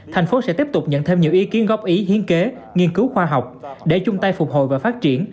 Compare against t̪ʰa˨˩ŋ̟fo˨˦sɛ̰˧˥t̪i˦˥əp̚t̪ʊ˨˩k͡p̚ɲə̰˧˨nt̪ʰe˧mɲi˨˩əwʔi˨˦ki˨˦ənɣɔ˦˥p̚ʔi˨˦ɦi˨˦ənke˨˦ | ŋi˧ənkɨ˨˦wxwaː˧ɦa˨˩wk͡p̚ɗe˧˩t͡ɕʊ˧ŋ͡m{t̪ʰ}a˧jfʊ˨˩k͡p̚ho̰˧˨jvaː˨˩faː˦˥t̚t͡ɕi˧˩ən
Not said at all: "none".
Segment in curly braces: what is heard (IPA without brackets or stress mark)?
t̪